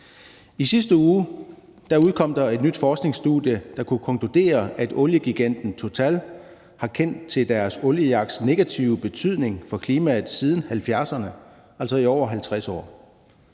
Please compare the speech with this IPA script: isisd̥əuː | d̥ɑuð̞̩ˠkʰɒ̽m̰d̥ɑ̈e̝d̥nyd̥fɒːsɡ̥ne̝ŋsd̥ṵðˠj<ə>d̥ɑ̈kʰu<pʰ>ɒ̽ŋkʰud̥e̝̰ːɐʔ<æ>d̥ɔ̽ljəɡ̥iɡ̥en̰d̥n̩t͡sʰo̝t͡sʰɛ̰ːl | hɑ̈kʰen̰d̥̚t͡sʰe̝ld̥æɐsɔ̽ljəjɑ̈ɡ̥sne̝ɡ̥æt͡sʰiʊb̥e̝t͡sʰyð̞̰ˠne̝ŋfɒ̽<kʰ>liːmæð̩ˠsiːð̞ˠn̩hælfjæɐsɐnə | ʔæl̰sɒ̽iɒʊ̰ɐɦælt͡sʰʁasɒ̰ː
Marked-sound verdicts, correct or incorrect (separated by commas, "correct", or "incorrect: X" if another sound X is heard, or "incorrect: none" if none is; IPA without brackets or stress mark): correct, incorrect: kʰ, correct, correct